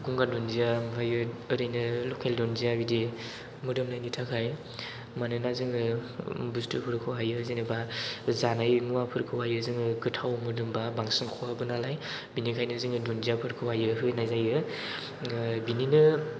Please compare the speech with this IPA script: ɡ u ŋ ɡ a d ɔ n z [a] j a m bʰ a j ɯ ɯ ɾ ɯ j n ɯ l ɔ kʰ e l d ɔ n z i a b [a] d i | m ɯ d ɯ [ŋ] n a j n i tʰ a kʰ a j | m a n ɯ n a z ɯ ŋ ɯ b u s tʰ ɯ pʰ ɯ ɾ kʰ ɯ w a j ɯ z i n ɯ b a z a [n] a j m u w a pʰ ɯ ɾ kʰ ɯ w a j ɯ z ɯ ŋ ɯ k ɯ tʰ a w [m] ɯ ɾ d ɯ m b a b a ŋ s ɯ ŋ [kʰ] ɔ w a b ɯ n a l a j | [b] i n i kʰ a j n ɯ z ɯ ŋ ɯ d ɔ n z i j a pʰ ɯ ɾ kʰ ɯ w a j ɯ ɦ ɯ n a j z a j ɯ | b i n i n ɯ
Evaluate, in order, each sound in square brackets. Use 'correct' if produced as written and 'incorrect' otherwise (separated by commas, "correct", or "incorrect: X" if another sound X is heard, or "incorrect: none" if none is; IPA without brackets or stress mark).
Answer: incorrect: i, incorrect: i, incorrect: m, correct, correct, correct, correct